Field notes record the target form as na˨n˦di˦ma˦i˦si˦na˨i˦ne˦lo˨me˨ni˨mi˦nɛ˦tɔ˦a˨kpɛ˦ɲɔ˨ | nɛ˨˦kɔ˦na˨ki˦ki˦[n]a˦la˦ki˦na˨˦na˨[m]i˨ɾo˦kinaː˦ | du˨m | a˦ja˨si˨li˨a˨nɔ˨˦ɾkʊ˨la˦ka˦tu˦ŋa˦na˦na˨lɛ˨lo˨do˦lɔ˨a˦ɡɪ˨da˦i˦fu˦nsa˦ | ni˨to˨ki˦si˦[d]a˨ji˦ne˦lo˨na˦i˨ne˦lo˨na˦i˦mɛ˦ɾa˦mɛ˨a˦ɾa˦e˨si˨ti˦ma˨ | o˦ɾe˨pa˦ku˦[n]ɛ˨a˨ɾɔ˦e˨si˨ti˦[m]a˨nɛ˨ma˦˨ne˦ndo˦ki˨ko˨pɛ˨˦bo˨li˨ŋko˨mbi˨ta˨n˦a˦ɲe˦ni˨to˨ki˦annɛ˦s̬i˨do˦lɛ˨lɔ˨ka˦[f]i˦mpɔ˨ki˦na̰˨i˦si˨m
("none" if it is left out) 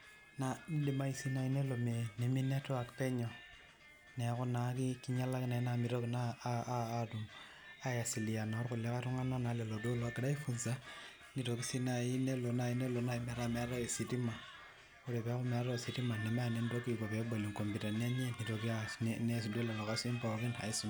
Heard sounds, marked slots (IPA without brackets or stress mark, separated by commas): ɲ, m, n, m, m, s